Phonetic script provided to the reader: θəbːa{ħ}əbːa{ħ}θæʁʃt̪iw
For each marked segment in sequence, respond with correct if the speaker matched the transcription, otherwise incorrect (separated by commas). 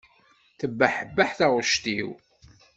correct, correct